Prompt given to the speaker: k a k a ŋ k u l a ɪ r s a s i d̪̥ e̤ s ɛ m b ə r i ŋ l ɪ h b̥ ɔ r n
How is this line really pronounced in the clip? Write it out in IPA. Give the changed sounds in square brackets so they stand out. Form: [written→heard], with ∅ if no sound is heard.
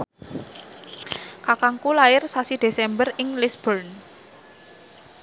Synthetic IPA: k a k a ŋ k u l a ɪ r s a s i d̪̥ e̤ s ɛ m b ə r [i→ɪ] ŋ l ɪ [h→s] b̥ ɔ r n